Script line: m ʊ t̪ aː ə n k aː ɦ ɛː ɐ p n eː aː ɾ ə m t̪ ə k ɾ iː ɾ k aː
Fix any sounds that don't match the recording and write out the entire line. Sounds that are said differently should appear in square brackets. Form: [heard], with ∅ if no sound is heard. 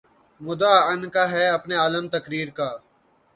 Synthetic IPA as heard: m ʊ [d̪] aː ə n k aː ɦ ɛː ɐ p n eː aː [l] ə m t̪ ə k ɾ iː ɾ k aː